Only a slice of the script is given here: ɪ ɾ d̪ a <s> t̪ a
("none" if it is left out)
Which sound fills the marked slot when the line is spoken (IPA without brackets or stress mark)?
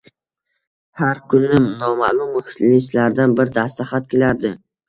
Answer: s